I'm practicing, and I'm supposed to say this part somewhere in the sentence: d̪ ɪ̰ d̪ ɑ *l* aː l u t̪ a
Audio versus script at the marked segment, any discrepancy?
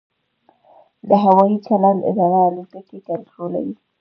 yes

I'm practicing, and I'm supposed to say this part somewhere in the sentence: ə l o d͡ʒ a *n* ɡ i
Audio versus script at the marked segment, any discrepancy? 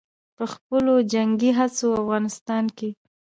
yes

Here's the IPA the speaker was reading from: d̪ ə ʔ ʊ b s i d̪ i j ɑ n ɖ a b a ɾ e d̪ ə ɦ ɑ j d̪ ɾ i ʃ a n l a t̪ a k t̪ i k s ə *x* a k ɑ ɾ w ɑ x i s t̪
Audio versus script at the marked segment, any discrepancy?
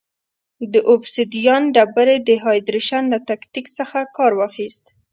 no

